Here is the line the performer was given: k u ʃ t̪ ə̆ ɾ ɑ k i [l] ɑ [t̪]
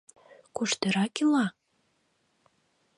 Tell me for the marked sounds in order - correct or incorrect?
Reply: correct, incorrect: none

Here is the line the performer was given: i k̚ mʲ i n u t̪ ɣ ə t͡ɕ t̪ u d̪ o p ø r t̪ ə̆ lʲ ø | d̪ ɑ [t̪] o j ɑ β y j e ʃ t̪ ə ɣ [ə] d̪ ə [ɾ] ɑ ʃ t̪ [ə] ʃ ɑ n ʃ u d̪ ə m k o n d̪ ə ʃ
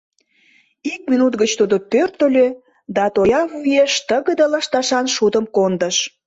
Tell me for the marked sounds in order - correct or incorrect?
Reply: correct, correct, incorrect: l, incorrect: ɑ

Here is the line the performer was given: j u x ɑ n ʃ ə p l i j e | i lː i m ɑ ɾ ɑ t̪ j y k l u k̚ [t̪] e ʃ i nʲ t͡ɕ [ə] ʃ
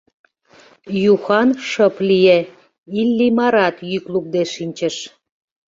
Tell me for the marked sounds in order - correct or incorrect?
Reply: incorrect: d̪, correct

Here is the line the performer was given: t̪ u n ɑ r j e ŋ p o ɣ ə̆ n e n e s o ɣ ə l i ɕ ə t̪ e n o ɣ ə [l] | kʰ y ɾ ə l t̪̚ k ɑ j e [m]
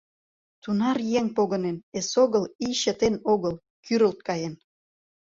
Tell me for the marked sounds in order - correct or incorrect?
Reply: correct, incorrect: n

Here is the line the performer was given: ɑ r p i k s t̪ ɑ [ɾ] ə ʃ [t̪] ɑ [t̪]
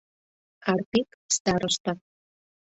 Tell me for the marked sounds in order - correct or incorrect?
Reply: correct, correct, incorrect: none

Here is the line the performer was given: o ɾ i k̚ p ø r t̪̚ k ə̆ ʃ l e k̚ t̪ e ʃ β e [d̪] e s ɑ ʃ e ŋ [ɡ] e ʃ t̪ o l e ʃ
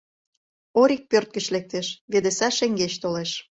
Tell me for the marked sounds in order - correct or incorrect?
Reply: correct, correct

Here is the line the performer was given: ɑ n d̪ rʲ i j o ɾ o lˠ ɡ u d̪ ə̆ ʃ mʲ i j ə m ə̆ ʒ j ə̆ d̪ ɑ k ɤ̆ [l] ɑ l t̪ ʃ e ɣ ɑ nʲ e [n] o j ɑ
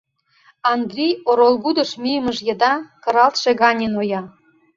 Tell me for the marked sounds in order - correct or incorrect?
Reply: incorrect: ɾ, correct

